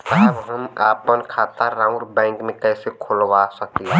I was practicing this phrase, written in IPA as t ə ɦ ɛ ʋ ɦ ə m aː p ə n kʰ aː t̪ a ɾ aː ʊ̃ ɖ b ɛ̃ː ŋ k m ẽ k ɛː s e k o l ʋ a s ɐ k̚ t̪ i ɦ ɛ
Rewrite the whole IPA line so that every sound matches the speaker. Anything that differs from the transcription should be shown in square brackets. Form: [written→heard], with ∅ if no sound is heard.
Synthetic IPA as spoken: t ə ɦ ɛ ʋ ɦ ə m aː p ə n kʰ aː t̪ a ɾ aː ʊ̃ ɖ b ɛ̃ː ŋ k m ẽ k ɛː s e [k→kʰ] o l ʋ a s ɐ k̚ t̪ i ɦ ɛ